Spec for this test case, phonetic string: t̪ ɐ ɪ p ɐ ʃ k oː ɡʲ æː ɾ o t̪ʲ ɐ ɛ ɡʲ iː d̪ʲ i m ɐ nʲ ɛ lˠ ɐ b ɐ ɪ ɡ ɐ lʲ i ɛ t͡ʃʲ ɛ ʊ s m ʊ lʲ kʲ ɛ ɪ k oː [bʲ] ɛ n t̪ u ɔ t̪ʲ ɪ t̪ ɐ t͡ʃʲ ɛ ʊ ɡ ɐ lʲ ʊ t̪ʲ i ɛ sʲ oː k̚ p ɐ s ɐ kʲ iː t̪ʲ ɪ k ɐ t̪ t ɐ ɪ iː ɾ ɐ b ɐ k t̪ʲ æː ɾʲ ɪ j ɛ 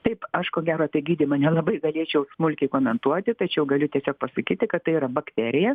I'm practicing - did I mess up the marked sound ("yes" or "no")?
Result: yes